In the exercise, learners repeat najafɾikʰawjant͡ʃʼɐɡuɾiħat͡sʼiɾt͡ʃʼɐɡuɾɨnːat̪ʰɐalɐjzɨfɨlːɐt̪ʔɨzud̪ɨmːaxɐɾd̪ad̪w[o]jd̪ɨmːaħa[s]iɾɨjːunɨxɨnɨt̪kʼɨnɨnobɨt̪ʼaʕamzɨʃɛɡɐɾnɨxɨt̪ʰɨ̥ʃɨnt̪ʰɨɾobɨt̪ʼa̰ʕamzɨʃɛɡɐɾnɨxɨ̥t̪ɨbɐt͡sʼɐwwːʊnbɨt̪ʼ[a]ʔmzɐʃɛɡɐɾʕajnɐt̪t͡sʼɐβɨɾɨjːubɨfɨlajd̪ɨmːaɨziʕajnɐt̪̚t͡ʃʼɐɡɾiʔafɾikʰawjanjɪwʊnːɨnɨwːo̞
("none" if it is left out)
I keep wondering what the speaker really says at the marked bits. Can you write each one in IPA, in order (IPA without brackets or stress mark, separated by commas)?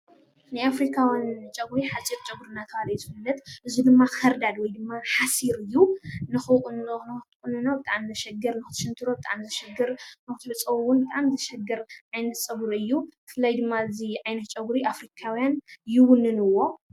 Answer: ɔ, s, a